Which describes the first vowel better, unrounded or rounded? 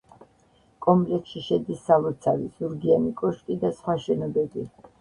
rounded